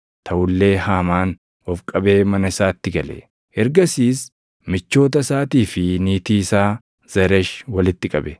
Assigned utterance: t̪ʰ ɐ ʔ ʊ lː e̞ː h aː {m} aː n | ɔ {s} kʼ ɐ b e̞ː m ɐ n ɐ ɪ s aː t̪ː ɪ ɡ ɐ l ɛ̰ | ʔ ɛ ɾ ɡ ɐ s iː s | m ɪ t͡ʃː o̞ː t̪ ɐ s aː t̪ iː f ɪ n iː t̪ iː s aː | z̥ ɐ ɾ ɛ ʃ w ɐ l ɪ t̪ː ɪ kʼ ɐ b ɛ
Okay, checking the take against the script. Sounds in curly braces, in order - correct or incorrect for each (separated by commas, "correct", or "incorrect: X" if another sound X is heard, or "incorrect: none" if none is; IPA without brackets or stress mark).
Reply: correct, incorrect: f